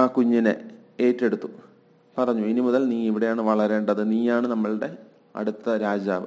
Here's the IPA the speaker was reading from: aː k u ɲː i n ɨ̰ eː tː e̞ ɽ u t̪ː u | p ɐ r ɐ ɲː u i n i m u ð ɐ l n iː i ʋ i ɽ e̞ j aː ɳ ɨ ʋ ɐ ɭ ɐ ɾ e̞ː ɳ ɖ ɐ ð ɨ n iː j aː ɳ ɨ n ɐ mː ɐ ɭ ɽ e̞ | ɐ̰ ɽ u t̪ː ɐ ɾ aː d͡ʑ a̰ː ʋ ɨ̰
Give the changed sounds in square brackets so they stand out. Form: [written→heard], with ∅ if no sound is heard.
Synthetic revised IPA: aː k u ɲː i n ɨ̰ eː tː e̞ ɽ u t̪ː u | p ɐ r ɐ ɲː u i n i m u ð ɐ l n iː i ʋ i ɽ e̞ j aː ɳ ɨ ʋ ɐ ɭ ɐ ɾ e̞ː ɳ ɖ ɐ ð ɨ n iː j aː ɳ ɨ n ɐ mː ɐ ɭ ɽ e̞ | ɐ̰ ɽ u t̪ː ɐ ɾ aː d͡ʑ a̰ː ʋ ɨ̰